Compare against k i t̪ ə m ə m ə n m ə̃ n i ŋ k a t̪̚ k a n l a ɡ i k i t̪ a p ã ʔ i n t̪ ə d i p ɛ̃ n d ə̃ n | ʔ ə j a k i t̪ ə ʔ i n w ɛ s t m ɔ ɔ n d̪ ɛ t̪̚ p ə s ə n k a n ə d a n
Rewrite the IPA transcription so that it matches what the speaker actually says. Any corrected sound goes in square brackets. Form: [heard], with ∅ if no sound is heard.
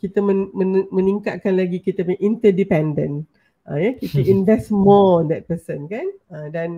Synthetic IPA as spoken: k i t̪ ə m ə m ə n m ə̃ n i ŋ k a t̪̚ k a n l a ɡ i k i t̪ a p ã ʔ i n t̪ ə d i p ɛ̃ n d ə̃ n | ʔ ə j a k i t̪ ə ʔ i n [v] ɛ s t m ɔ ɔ n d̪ ɛ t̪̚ p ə s ə n k a n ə d a n